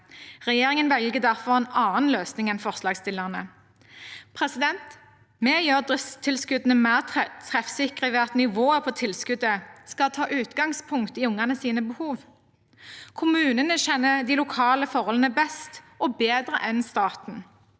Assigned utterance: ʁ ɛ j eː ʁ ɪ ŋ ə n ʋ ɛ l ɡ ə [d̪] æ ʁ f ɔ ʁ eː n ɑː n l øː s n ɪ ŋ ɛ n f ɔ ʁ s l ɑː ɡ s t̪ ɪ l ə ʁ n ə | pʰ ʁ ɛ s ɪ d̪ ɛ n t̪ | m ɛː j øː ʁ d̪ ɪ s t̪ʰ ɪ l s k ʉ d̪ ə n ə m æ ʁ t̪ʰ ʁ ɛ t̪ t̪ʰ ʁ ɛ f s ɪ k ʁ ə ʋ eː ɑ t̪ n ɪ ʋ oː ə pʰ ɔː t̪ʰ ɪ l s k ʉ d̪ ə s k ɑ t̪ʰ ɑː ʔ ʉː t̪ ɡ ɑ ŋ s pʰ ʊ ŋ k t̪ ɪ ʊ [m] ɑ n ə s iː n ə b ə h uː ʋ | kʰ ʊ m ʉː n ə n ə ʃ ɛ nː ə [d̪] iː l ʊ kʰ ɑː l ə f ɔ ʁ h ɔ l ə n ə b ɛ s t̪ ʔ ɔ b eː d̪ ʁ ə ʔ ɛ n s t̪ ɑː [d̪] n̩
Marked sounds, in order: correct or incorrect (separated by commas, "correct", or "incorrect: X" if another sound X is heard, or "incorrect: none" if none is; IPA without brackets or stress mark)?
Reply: correct, incorrect: ŋ, correct, incorrect: t̪